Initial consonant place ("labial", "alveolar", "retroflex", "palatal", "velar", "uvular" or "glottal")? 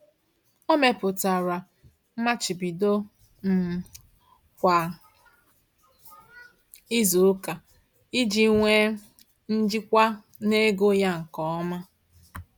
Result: labial